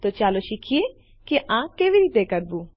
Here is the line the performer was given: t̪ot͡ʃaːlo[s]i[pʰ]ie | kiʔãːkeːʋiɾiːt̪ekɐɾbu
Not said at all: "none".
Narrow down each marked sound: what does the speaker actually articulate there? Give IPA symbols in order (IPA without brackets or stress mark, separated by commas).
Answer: ʃ, kʰ